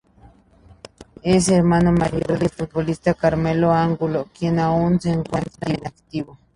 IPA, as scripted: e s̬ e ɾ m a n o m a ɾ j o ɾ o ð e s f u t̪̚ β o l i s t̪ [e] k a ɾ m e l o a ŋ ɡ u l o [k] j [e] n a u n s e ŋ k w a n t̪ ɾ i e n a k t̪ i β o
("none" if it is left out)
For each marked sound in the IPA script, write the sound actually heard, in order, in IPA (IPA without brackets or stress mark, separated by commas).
a, k, e